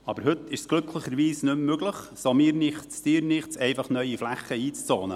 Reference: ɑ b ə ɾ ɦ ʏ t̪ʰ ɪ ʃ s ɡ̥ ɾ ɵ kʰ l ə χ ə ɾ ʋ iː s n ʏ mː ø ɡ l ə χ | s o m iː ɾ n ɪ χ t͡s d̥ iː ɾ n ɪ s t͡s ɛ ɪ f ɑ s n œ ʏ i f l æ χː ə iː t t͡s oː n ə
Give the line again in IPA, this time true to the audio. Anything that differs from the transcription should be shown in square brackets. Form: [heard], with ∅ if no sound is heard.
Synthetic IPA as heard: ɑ b ə ɾ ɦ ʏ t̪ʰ ɪ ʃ s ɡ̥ [l] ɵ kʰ l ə χ ə ɾ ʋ iː s n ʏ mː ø ɡ l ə χ | s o m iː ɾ n ɪ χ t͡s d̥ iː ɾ n ɪ [χ] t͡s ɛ ɪ f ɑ [χ] n œ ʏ i f l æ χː ə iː [t͡s] t͡s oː n ə